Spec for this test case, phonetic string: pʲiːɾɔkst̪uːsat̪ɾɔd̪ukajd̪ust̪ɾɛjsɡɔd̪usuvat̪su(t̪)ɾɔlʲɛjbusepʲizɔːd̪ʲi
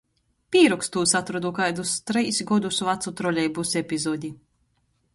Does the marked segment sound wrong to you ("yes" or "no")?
no